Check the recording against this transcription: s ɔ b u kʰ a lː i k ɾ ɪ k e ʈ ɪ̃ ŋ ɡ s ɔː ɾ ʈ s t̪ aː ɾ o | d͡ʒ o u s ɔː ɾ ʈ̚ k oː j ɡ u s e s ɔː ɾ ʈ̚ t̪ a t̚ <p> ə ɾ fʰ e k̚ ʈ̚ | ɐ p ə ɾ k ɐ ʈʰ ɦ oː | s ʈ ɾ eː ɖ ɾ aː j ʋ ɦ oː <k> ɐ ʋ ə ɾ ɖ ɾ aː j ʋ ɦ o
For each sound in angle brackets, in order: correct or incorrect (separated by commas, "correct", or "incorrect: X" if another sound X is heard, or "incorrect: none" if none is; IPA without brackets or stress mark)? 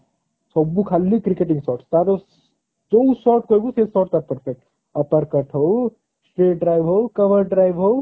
correct, correct